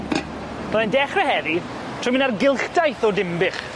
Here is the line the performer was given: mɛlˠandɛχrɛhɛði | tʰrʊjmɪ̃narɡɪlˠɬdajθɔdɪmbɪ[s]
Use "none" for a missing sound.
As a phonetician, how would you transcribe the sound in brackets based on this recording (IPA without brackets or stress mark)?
χ